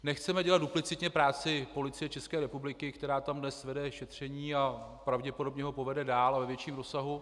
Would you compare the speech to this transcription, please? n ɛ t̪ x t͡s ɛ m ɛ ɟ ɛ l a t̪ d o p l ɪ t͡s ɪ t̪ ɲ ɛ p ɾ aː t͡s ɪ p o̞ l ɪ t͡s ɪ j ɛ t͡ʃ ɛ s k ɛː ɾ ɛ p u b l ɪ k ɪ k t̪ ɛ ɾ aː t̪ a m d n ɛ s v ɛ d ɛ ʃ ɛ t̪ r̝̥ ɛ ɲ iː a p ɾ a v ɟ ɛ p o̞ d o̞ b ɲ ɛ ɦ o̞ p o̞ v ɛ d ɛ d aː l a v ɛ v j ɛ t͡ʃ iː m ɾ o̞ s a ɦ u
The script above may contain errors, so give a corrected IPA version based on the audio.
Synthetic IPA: n ɛ x t͡s ɛ m ɛ ɟ ɛ l a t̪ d u p l ɪ t͡s ɪ t̪ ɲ ɛ p ɾ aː t͡s ɪ p o̞ l ɪ t͡s ɪ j ɛ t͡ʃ ɛ s k ɛː ɾ ɛ p u b l ɪ k ɪ k t̪ ɛ ɾ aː t̪ a m d n ɛ s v ɛ d ɛ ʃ ɛ t̪ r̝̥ ɛ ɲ iː a p ɾ a v ɟ ɛ p o̞ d o̞ b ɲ ɛ ɦ o̞ p o̞ v ɛ d ɛ d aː l a v ɛ v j ɛ t͡ʃ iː m ɾ o̞ s a ɦ u